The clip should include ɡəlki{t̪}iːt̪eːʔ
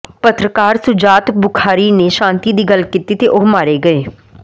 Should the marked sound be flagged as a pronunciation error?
no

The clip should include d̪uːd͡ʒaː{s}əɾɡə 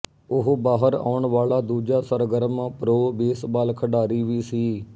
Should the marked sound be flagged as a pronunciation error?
no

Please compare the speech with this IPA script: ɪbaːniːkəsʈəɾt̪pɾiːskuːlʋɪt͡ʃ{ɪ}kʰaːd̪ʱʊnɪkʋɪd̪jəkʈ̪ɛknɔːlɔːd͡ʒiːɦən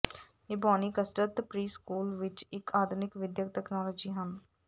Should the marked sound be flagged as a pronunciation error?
no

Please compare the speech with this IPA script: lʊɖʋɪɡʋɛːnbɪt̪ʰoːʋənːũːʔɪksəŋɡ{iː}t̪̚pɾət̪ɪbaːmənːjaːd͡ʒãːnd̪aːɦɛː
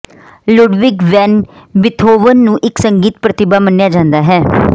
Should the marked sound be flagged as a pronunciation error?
no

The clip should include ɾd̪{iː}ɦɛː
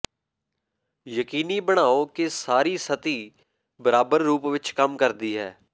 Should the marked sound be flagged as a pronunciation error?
no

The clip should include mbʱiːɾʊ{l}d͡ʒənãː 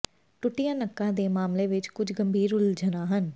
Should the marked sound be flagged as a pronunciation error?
no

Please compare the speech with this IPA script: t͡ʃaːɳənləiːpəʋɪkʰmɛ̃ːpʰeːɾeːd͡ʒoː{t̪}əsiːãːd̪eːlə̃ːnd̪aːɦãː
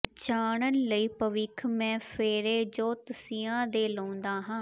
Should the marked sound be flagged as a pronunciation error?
no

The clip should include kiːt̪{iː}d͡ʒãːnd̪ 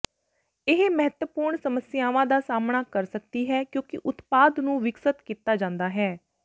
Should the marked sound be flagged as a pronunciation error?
yes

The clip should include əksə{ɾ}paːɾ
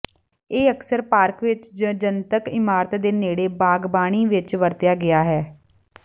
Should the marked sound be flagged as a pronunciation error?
no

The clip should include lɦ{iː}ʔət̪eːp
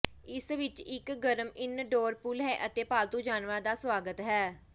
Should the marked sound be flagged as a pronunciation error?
yes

